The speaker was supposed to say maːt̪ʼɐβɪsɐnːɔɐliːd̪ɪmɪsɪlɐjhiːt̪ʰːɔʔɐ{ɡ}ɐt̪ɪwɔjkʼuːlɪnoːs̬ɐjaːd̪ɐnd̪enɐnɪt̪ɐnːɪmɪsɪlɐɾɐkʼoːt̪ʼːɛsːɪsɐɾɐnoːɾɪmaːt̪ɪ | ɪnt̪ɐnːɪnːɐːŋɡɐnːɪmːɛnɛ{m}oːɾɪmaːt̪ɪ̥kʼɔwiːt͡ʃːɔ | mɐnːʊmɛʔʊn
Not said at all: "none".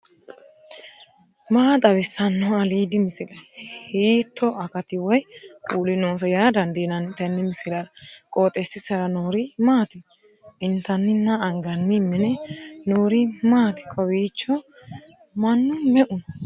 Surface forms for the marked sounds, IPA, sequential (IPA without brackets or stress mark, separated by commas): k, n